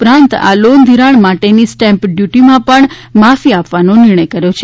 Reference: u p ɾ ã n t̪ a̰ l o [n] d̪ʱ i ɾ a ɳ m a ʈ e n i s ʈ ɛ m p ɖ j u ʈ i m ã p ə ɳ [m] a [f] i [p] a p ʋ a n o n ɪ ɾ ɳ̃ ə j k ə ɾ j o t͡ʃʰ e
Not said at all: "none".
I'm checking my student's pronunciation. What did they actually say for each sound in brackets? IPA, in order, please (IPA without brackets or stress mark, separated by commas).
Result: n, m, f, none